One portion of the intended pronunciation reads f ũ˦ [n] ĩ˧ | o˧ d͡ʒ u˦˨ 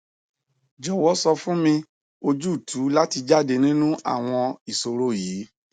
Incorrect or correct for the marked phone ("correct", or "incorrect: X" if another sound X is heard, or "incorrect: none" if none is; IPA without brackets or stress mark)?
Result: incorrect: m